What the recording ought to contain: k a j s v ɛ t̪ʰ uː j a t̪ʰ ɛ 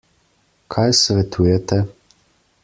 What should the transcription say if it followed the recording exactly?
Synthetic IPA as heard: kʰ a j s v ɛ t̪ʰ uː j ɛ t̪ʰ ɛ